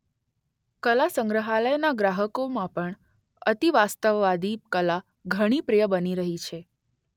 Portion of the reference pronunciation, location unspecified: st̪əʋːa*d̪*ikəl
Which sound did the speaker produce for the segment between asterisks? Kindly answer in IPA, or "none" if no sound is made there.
d̪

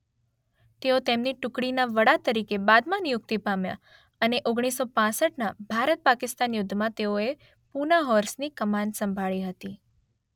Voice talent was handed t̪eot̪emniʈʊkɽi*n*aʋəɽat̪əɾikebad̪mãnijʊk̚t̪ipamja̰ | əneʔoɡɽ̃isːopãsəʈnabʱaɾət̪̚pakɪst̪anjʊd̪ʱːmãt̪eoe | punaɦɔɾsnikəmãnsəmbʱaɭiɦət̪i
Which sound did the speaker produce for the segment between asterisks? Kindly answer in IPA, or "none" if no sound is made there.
n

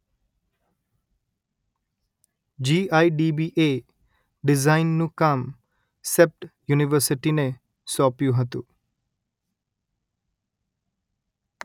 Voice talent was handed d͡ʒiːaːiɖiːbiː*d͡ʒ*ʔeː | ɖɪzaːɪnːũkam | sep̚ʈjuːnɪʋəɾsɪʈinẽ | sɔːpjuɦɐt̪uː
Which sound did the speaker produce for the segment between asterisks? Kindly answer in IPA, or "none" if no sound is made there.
none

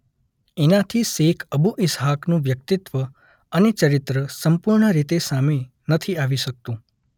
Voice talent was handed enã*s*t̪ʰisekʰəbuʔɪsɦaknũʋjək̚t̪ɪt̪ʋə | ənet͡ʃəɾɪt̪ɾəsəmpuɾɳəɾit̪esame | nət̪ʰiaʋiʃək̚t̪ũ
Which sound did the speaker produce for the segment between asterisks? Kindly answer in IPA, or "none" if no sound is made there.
none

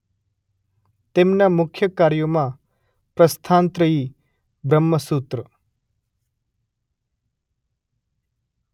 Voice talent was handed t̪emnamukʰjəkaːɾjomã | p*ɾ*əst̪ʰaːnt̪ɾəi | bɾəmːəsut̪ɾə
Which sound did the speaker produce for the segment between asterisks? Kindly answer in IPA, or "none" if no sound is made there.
ɾ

